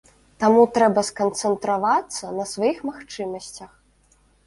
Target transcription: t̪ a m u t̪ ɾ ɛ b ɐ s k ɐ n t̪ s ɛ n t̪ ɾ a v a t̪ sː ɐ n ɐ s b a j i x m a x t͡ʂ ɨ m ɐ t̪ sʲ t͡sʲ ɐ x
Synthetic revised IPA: t̪ a m u t̪ ɾ ɛ b ɐ s k ɐ n t̪ s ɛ n t̪ ɾ a v a t̪ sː ɐ n ɐ s v a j i x m a x t͡ʂ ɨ m ɐ sʲ t͡sʲ ɐ x